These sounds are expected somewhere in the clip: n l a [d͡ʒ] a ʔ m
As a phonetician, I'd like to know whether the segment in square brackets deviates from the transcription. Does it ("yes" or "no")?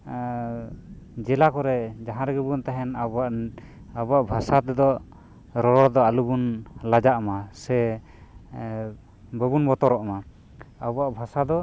no